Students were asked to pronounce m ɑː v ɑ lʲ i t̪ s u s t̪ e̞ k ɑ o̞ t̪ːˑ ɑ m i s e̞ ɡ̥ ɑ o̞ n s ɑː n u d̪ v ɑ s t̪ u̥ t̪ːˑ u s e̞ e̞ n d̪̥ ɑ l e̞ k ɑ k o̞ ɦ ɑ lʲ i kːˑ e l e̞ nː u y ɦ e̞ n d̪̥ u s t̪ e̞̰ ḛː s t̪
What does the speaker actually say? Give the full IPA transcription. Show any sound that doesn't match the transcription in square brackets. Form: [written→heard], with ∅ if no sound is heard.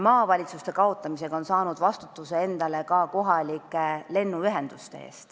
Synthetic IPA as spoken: m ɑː v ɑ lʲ i t̪ s u s t̪ e̞ k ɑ o̞ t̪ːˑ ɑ m i s e̞ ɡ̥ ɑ o̞ n s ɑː n u d̪ v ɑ s t̪ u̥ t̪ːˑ u s e̞ e̞ n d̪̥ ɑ l e̞ k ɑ k o̞ ɦ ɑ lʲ i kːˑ e l e̞ nː u y ɦ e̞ n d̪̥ u s t̪ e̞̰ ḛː s t̪